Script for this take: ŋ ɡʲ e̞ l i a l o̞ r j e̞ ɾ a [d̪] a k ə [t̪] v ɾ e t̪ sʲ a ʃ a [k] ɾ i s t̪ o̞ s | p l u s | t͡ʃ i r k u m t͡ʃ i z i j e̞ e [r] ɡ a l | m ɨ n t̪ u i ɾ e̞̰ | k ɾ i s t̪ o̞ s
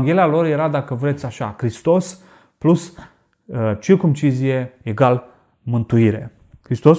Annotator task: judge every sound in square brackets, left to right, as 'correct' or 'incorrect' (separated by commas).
correct, incorrect, correct, incorrect